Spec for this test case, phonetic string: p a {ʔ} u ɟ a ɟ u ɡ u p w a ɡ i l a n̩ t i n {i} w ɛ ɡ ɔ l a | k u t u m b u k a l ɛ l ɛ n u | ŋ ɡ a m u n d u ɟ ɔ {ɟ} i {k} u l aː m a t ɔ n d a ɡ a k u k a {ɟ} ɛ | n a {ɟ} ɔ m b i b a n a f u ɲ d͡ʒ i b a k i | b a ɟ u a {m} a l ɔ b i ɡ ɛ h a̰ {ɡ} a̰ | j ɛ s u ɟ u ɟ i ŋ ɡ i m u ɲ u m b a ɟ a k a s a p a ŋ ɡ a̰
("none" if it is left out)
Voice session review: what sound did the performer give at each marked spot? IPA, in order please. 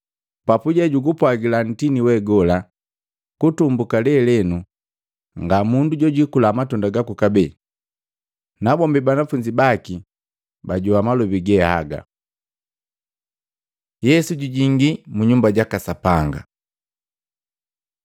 p, i, ɟ, k, b, b, m, ɡ

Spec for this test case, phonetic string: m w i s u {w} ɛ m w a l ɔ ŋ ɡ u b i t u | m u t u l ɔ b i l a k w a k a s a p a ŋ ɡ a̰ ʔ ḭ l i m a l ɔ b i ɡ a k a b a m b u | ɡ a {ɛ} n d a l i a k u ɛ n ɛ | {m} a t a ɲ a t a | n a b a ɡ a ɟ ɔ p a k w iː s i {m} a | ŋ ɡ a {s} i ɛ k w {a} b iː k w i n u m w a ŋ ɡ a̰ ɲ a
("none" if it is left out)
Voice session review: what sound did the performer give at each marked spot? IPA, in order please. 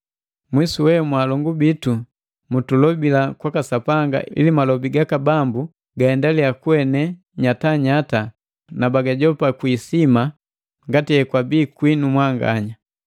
w, ɛ, ɲ, m, t, a

